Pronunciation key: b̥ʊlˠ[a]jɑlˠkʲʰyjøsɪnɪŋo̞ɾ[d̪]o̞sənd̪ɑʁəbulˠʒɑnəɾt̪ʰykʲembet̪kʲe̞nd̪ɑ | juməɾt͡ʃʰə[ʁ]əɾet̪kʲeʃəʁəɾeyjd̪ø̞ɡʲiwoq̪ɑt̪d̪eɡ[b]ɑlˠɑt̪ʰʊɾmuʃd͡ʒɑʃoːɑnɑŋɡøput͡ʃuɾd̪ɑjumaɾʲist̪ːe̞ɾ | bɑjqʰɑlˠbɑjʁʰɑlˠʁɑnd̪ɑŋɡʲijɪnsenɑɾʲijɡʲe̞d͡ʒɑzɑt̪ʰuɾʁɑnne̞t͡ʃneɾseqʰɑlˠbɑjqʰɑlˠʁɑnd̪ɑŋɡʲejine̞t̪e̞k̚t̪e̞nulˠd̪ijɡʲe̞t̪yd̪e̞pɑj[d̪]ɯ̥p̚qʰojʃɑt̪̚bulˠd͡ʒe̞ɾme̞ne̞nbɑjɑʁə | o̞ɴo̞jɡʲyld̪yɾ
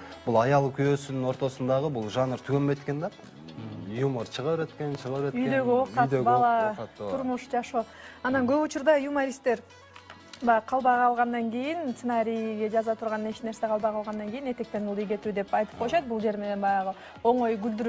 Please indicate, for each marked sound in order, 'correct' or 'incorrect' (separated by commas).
incorrect, incorrect, correct, correct, incorrect